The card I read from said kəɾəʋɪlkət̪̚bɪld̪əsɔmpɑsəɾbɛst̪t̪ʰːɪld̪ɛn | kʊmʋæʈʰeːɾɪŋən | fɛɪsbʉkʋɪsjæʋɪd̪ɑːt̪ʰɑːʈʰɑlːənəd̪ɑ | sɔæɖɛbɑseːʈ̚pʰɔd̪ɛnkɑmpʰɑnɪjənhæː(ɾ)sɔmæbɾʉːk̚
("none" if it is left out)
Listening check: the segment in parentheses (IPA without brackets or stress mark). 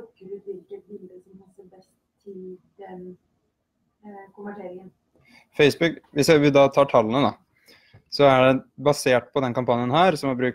ɾ